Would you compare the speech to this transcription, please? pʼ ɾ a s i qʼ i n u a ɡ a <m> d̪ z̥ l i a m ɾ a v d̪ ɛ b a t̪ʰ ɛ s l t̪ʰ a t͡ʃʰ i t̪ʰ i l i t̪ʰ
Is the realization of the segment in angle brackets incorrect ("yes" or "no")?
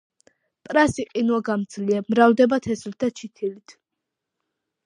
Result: no